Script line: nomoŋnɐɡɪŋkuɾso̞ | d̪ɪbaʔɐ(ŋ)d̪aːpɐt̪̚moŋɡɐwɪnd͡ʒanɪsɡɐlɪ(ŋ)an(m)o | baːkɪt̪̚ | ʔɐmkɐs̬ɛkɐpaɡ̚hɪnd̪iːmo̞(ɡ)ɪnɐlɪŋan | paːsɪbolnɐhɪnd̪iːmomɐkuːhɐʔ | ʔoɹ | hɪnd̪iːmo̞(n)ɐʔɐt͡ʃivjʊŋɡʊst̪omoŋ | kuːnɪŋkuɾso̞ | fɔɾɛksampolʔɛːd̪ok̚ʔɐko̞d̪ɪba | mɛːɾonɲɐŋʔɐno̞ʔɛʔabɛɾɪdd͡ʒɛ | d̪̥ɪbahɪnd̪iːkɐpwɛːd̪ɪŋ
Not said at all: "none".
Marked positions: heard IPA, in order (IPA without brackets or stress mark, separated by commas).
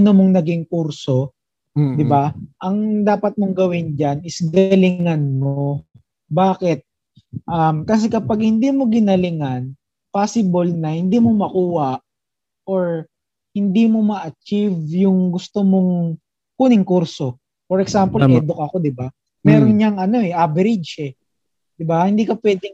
ŋ, ŋ, m, ɡ, m